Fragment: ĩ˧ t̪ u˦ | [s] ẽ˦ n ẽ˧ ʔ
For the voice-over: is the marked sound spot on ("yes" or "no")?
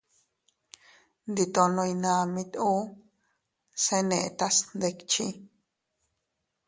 yes